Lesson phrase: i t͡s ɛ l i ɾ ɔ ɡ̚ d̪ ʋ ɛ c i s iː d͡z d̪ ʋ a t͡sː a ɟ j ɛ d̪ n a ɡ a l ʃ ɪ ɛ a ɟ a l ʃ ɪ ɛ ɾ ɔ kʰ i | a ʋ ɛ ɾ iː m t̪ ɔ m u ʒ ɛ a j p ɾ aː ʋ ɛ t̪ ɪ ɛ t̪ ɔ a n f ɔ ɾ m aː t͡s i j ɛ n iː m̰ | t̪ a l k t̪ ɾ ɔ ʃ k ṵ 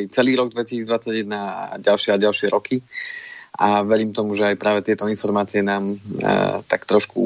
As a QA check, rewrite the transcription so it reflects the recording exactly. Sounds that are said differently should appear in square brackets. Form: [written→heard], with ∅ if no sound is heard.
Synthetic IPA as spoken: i t͡s ɛ l [i→iː] ɾ ɔ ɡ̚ d̪ ʋ ɛ c i s iː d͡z d̪ ʋ a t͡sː a ɟ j ɛ d̪ n a [ɡ→ɟ] a l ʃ ɪ ɛ a ɟ a l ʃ ɪ ɛ ɾ ɔ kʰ i | a ʋ ɛ ɾ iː m t̪ ɔ m u ʒ ɛ a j p ɾ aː ʋ ɛ t̪ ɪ ɛ t̪ ɔ [a→i] n f ɔ ɾ m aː t͡s i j ɛ n [iː→aː] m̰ | t̪ a [l→∅] k t̪ ɾ ɔ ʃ k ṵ